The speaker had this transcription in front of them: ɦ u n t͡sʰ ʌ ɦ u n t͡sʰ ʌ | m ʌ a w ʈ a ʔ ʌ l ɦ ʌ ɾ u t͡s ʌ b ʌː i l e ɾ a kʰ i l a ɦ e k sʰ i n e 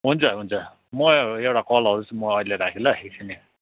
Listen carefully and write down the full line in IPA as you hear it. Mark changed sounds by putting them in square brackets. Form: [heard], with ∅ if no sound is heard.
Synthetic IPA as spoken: ɦ u n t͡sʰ ʌ ɦ u n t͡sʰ ʌ | m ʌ [e] w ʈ a [k] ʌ l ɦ ʌ ɾ u t͡s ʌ [m] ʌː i l e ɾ a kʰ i l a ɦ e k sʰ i n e